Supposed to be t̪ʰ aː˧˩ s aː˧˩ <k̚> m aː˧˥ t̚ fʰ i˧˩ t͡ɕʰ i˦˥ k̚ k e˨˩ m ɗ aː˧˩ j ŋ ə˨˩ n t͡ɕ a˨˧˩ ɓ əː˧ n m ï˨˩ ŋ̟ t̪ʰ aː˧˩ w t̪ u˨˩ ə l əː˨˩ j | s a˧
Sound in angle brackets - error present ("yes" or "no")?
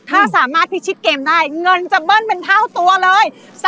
yes